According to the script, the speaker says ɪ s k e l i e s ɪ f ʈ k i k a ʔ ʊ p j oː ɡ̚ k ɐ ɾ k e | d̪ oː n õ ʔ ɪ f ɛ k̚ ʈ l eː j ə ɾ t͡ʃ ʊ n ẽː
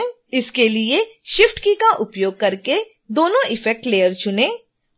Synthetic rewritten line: ɪ s k e l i e ʃ ɪ f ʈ k i k a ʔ ʊ p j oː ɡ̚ k ɐ ɾ k e | d̪ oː n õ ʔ ɪ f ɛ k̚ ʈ l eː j ə ɾ t͡ʃ ʊ n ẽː